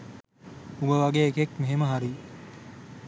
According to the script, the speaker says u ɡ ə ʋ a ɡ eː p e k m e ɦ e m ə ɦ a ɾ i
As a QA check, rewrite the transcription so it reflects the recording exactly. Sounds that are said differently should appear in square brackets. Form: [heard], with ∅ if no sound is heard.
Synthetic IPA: u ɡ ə ʋ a ɡ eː [k] e k m e ɦ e m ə ɦ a ɾ i